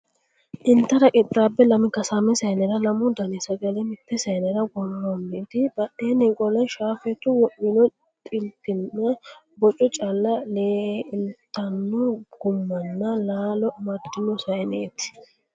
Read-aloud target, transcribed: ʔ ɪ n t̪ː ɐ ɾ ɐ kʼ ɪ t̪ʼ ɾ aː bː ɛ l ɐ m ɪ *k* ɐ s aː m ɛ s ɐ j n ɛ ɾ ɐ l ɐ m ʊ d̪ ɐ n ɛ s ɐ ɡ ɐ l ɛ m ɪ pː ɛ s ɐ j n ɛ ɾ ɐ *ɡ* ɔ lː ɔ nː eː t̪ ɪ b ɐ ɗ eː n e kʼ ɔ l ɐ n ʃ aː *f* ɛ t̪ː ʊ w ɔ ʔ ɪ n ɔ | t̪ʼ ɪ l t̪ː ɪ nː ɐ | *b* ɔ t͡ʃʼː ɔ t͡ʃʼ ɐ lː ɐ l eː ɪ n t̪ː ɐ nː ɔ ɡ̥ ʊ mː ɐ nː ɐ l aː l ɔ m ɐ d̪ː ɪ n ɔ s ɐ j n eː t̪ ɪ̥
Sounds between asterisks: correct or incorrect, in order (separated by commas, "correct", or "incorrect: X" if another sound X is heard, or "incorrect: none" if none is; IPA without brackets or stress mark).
correct, correct, correct, correct